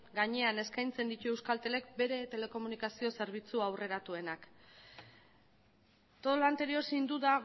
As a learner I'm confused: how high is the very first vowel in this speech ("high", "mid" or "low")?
low